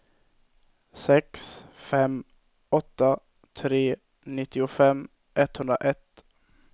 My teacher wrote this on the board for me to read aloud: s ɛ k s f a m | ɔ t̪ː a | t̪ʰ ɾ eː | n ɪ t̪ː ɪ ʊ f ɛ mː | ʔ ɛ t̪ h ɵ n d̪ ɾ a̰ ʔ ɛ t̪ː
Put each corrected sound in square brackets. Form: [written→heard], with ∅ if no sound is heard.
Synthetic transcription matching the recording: s ɛ k s f [a→ɛ] m | ɔ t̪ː a | t̪ʰ ɾ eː | n ɪ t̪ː ɪ ʊ f ɛ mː | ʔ ɛ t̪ h ɵ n d̪ ɾ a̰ ʔ ɛ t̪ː

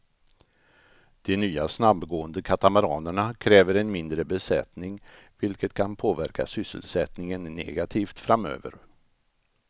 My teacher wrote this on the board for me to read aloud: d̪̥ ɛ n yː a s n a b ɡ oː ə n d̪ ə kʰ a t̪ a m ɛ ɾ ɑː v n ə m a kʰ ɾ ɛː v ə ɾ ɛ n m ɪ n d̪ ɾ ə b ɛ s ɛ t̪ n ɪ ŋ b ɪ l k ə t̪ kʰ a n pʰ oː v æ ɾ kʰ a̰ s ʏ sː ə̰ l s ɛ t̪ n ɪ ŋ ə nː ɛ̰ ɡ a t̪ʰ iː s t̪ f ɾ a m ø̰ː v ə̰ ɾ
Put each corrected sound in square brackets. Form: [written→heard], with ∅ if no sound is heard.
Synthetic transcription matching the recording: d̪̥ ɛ n yː a s n a b ɡ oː ə n d̪ ə kʰ a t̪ a m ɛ ɾ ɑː [v→∅] n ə [m→ɳ] a kʰ ɾ ɛː v ə ɾ ɛ n m ɪ n d̪ ɾ ə b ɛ s ɛ t̪ n ɪ ŋ [b→v] ɪ l k ə t̪ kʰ a n pʰ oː v æ ɾ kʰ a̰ s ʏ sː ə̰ l s ɛ t̪ n ɪ ŋ ə nː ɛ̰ ɡ a t̪ʰ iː [s→f] t̪ f ɾ a m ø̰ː v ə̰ ɾ

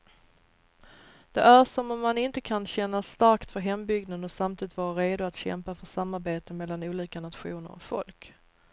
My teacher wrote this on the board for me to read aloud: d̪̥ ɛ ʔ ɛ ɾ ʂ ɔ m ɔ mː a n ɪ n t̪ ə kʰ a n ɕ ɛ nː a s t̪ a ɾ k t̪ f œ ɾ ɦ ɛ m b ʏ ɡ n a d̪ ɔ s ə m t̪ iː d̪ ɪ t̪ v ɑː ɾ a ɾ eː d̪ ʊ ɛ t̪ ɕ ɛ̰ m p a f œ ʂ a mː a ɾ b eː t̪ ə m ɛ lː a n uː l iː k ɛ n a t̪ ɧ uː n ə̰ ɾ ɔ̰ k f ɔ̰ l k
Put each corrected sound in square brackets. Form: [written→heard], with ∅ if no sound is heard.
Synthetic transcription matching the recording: d̪̥ ɛ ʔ [ɛ→æ] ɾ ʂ ɔ m ɔ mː a n ɪ n t̪ ə kʰ a n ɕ ɛ nː a s t̪ a ɾ k t̪ f œ ɾ ɦ ɛ m b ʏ ɡ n a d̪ ɔ s [ə→a] m t̪ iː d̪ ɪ t̪ v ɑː ɾ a ɾ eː d̪ ʊ [ɛ→a] t̪ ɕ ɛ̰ m p a f œ ʂ a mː a ɾ b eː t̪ ə m ɛ lː a n uː l iː k [ɛ→a] n a t̪ ɧ uː n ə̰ ɾ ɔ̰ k f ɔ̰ l k

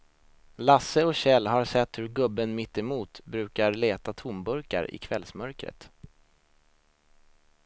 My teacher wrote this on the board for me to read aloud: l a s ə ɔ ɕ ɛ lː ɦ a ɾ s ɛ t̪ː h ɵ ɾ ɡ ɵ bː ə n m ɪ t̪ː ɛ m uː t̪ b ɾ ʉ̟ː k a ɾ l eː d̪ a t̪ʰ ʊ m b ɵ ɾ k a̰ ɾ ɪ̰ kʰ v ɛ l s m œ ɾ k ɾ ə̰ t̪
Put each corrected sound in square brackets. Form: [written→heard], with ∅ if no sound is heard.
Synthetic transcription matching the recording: l a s ə ɔ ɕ ɛ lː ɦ a ɾ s ɛ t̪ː h ɵ ɾ ɡ ɵ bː ə n m ɪ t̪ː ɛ m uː t̪ b ɾ ʉ̟ː k a ɾ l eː [d̪→t̪] a t̪ʰ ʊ m b ɵ ɾ k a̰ ɾ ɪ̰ kʰ v ɛ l s m œ ɾ k ɾ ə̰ t̪

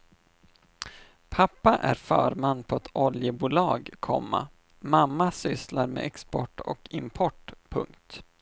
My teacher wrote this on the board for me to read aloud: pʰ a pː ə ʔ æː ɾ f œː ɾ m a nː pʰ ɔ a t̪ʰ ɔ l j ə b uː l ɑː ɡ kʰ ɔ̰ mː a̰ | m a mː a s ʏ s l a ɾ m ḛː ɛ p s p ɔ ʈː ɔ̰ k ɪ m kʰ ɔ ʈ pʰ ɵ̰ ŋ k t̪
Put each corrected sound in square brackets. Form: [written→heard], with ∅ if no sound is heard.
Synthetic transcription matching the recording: pʰ a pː [ə→a] ʔ [æː→æ] ɾ f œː ɾ m a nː pʰ ɔ [a→ɛ] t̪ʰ ɔ l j ə b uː l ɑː ɡ kʰ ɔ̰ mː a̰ | m a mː a s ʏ s l a ɾ m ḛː ɛ [p→k] s p ɔ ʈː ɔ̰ k ɪ m [kʰ→pʰ] ɔ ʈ pʰ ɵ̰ ŋ k t̪

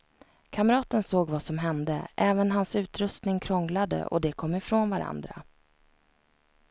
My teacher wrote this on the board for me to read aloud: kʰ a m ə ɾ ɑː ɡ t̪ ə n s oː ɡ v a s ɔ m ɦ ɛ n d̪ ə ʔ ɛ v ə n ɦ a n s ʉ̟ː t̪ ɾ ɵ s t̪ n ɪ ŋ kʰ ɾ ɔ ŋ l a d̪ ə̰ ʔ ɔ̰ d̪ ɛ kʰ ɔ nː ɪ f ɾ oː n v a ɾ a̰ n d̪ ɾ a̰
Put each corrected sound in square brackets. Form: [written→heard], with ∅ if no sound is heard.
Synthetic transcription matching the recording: kʰ a m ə ɾ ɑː [ɡ→∅] t̪ ə n s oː ɡ v a s ɔ m ɦ ɛ n d̪ ə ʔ [ɛ→ɛː] v ə n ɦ a n s ʉ̟ː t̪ ɾ ɵ s t̪ n ɪ ŋ kʰ ɾ ɔ ŋ l a d̪ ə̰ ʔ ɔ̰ d̪ ɛ kʰ ɔ [nː→mː] ɪ f ɾ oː n v a ɾ a̰ n d̪ ɾ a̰

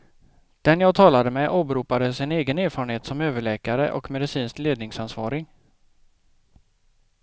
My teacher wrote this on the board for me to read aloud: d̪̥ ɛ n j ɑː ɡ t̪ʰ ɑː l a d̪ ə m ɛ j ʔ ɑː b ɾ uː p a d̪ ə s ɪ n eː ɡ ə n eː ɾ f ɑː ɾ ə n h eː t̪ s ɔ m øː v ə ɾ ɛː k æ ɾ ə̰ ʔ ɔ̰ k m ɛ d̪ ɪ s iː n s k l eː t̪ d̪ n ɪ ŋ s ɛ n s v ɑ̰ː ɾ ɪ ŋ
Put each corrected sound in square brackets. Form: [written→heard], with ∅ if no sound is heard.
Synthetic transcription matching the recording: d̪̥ ɛ n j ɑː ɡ t̪ʰ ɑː l a d̪ ə m ɛ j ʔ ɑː b ɾ uː p a d̪ ə s ɪ n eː ɡ ə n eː ɾ f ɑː ɾ ə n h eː t̪ s ɔ m øː v ə [ɾ→ɭ] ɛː k [æ→a] ɾ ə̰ ʔ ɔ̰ k m ɛ d̪ ɪ s iː n s k l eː [t̪→∅] d̪ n ɪ ŋ s [ɛ→a] n s v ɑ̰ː ɾ ɪ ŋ

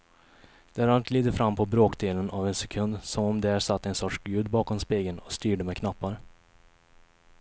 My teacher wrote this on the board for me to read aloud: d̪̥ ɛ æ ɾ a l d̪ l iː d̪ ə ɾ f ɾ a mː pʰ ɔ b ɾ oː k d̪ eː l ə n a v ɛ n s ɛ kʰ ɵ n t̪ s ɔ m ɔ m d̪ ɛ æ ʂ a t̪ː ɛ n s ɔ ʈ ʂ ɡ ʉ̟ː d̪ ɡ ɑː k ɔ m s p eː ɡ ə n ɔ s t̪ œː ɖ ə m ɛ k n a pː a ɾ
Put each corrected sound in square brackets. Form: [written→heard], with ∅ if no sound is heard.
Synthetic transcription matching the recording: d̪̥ ɛ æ ɾ a l [d̪→t̪] l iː d̪ ə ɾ f ɾ a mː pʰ ɔ b ɾ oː k d̪ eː l ə n a v ɛ n s ɛ kʰ ɵ n [t̪→d̪] s ɔ m ɔ m d̪ ɛ æ ʂ a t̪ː ɛ n s ɔ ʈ ʂ ɡ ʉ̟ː d̪ [ɡ→b] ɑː k ɔ m s p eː ɡ ə n ɔ s t̪ [œː→yː] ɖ ə m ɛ [k→kʰ] n a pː a ɾ

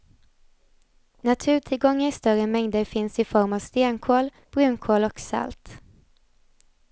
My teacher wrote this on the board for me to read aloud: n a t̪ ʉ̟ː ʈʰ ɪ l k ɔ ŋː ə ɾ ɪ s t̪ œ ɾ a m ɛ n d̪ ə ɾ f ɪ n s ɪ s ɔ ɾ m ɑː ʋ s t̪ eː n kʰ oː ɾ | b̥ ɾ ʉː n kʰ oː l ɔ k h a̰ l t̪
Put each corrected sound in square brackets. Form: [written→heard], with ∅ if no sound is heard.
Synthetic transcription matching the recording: n a [t̪→t̪ʰ] ʉ̟ː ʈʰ ɪ l [k→ɡ] ɔ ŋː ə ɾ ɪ s t̪ œ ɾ [a→ə] m ɛ [n→ŋ] d̪ ə ɾ f ɪ n s ɪ [s→f] ɔ ɾ m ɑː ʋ s t̪ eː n kʰ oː [ɾ→l] | b̥ ɾ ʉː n kʰ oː l ɔ k [h→s] a̰ l t̪

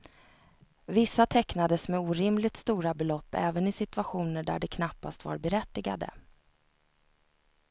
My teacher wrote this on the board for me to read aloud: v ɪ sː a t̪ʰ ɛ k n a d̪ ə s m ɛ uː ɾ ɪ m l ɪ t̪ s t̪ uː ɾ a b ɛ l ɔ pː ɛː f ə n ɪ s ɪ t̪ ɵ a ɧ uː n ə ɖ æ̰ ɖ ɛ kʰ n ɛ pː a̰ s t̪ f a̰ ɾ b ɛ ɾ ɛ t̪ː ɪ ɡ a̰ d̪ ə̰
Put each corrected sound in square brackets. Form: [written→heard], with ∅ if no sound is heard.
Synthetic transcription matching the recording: v ɪ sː a t̪ʰ ɛ k n a d̪ ə s m ɛ uː ɾ ɪ m l ɪ t̪ s t̪ uː ɾ a b ɛ l ɔ pː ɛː [f→v] ə n ɪ s ɪ t̪ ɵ a ɧ uː n ə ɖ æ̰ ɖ ɛ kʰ n [ɛ→a] pː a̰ s t̪ [f→v] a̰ ɾ b ɛ ɾ ɛ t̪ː ɪ ɡ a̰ d̪ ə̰

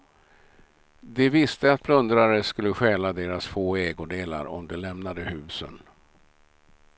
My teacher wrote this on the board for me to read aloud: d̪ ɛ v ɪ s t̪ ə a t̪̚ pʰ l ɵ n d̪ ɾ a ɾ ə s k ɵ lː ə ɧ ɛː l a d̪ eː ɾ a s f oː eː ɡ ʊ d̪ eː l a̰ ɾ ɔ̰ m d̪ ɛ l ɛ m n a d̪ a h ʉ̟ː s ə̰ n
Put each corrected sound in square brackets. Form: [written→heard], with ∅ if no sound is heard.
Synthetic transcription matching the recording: d̪ ɛ v ɪ s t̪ ə a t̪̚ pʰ l ɵ n d̪ ɾ a ɾ ə s k ɵ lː ə ɧ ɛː l a d̪ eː ɾ a s f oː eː ɡ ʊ d̪ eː l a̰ ɾ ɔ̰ m d̪ ɛ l ɛ m n a d̪ [a→ə] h ʉ̟ː s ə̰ n

